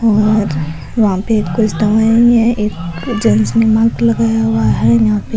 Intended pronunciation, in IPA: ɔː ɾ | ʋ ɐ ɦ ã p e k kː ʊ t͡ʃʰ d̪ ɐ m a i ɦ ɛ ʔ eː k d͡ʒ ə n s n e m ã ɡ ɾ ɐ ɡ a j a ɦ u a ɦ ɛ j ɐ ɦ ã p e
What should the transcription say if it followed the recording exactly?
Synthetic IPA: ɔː ɾ | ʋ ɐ ɦ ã p e k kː ʊ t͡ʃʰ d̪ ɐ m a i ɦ ɛ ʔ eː k d͡ʒ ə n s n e m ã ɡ l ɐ ɡ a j a ɦ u a ɦ ɛ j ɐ ɦ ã p e